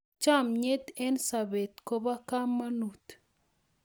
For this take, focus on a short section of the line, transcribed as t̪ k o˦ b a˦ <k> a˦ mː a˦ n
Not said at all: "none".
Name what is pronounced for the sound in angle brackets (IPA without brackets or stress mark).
k